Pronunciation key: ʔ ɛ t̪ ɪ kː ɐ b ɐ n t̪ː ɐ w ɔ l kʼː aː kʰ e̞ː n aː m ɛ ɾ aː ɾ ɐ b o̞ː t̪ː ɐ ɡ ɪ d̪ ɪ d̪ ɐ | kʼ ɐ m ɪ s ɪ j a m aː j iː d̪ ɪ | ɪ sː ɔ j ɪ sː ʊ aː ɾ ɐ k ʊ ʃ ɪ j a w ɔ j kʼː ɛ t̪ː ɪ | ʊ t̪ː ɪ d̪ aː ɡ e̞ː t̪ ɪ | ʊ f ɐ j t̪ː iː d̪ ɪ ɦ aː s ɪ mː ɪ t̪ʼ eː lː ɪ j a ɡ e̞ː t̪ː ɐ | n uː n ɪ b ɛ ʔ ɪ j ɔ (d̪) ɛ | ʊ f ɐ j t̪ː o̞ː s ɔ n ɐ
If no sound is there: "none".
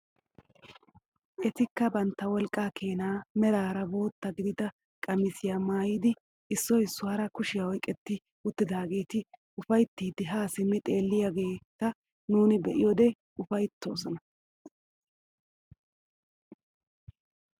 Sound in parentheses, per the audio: d̪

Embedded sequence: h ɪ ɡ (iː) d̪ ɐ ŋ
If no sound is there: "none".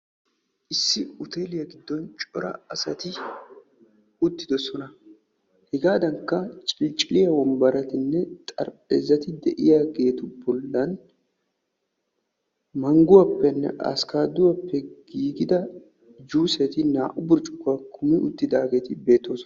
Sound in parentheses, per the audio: aː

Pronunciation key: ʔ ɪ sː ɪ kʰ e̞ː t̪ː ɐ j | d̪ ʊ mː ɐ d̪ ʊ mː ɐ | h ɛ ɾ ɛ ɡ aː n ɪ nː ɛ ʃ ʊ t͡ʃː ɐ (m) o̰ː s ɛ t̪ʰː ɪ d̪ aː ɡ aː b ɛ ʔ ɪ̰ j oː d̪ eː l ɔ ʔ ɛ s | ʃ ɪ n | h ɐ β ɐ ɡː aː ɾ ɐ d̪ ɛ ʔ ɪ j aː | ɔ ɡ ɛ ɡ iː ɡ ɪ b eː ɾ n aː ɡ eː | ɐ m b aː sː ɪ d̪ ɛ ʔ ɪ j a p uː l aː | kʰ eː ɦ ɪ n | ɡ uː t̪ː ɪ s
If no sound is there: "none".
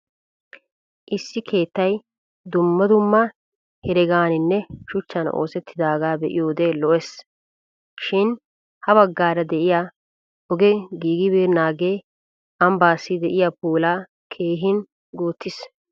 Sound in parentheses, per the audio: n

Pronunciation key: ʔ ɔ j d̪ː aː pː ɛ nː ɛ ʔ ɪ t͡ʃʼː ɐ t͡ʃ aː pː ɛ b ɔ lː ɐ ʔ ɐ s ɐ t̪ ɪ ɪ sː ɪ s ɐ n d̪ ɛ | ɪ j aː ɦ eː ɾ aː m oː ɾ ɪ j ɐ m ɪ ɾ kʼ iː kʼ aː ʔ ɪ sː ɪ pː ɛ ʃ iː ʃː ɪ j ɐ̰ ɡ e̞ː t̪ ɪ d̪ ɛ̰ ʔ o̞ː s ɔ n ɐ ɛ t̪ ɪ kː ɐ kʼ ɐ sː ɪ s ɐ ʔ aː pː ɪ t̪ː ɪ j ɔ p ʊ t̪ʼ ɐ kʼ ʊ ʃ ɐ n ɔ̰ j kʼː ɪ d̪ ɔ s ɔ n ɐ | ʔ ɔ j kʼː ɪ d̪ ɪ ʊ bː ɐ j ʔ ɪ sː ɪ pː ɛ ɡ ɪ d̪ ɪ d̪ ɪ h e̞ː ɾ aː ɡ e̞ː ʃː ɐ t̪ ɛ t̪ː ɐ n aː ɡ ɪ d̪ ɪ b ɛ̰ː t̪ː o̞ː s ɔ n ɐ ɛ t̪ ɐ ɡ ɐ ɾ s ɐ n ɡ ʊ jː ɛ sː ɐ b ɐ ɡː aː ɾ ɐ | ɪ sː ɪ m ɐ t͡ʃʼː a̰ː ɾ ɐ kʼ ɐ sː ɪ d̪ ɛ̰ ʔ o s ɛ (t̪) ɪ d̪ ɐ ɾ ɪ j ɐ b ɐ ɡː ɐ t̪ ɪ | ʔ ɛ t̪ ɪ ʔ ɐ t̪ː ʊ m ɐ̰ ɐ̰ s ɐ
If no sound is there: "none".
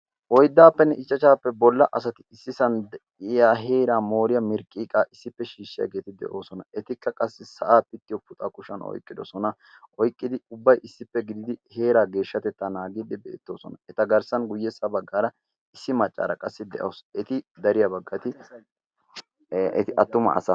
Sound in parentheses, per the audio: t̪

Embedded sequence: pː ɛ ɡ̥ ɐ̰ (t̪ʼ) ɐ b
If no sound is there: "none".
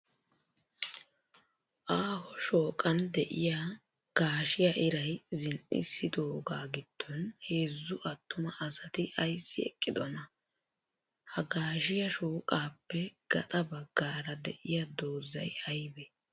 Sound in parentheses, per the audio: t̪ʼ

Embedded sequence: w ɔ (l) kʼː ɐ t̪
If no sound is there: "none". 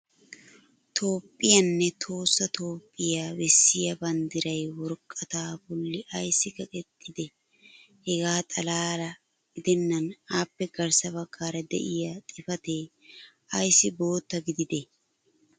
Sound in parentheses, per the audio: ɾ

